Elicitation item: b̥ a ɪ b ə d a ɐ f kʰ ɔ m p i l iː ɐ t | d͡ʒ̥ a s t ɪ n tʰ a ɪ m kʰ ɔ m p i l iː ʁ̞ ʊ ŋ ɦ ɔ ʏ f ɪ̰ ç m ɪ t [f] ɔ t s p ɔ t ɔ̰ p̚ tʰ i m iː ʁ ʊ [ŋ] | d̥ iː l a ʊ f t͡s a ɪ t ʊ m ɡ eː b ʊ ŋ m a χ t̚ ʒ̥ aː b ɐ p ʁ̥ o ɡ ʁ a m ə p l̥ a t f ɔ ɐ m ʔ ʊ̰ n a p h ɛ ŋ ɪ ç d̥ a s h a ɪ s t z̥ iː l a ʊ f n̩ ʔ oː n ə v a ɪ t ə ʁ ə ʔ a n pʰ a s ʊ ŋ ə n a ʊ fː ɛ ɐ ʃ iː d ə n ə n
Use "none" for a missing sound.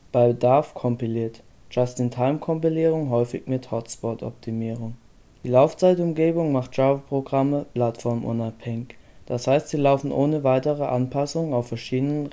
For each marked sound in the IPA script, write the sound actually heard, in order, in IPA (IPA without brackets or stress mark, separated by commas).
h, ŋ